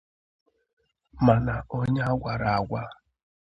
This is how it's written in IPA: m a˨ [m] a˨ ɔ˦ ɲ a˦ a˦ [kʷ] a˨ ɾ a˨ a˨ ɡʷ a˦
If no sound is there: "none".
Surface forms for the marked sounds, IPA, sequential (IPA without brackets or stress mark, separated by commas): n, ɡʷ